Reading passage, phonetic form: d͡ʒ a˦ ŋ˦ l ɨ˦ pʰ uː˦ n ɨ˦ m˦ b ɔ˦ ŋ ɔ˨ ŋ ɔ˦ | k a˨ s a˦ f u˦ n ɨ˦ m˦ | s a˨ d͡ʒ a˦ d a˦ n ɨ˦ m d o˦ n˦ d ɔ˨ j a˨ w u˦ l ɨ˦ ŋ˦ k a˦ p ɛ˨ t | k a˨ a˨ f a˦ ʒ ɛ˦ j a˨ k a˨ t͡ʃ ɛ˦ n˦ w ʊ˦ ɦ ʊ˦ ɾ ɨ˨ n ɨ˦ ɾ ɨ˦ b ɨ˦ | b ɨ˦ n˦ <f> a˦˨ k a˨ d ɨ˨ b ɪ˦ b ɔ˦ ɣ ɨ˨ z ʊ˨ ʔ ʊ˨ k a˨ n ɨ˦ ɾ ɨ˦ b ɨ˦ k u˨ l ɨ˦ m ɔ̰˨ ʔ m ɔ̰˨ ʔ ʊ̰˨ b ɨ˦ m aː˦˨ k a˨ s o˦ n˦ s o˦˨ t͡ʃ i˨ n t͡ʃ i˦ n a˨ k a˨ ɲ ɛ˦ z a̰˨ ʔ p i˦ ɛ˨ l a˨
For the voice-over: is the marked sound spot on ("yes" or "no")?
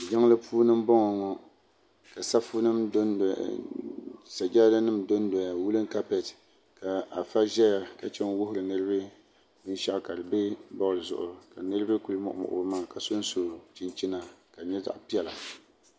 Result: no